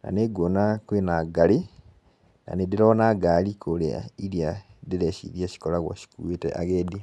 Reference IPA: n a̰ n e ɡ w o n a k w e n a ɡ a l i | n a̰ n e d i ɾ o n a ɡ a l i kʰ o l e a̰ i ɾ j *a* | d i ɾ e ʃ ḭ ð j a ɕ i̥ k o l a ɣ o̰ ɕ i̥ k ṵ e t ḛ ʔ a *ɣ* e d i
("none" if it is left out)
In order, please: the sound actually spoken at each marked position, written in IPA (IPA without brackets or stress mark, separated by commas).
a, ɣ